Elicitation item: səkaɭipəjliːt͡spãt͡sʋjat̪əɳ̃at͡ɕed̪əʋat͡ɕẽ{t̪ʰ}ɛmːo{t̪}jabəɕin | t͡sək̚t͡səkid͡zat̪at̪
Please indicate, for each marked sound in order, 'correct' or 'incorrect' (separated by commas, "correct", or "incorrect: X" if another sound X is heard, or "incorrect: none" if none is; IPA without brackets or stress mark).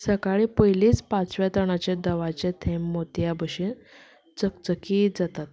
correct, correct